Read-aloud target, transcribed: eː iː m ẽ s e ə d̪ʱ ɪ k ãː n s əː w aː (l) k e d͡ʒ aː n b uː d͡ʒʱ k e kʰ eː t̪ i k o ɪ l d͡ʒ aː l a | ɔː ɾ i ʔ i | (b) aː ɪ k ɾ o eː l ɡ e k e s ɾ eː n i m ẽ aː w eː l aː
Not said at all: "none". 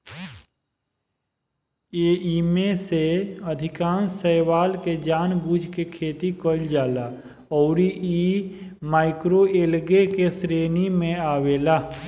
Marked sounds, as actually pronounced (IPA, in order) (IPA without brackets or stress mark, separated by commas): l, m